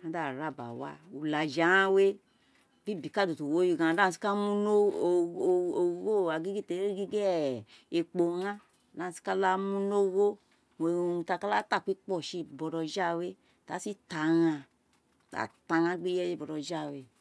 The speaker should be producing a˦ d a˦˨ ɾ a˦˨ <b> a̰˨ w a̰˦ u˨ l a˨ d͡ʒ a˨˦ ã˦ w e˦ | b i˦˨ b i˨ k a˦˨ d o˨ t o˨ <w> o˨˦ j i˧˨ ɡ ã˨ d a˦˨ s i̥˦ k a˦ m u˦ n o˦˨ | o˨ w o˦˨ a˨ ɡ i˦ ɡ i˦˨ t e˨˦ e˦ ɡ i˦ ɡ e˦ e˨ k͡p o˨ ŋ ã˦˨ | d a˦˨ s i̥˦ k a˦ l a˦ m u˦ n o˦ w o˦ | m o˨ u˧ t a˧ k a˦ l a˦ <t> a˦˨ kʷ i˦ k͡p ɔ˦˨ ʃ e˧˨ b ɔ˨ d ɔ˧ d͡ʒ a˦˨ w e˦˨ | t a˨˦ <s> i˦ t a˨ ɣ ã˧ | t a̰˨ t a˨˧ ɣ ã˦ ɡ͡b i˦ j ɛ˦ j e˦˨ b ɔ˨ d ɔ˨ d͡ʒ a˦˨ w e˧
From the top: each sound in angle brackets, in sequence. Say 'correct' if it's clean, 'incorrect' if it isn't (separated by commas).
correct, correct, correct, correct